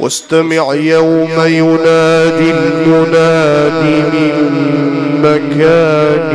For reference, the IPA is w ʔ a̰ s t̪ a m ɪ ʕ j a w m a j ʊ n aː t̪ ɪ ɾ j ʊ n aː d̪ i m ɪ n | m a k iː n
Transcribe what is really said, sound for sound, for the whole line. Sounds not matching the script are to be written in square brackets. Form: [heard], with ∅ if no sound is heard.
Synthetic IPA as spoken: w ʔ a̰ s t̪ a m ɪ ʕ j a w m a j ʊ n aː [d̪] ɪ [l] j ʊ n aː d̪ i m ɪ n | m a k [aː] n